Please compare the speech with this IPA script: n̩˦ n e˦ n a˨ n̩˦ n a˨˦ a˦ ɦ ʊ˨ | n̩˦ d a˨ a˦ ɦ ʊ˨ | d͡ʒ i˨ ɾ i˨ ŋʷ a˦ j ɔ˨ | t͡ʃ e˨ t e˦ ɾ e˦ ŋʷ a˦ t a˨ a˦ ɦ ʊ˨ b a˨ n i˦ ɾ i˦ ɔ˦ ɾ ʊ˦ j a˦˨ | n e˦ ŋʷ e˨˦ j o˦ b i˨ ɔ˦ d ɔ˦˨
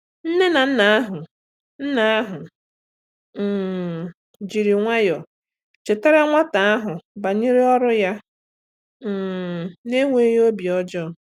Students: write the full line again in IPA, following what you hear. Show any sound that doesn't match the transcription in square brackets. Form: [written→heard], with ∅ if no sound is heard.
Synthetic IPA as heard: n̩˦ n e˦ n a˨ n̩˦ n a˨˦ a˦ ɦ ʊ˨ | n̩˦ [d→n] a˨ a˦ ɦ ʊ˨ | d͡ʒ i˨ ɾ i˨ ŋʷ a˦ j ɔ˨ | t͡ʃ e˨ t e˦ ɾ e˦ ŋʷ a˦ t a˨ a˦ ɦ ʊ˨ b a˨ [n→ɲ] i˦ ɾ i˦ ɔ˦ ɾ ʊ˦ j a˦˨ | n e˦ ŋʷ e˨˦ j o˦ b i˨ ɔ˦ [d→d͡ʒ] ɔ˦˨